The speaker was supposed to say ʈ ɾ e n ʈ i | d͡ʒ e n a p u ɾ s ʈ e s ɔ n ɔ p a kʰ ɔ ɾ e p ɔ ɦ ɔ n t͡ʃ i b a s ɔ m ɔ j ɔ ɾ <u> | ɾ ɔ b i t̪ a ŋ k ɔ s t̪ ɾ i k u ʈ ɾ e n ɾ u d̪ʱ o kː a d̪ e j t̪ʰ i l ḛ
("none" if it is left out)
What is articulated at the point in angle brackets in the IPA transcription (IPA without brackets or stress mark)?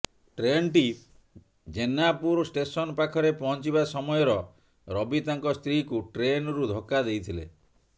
ɔ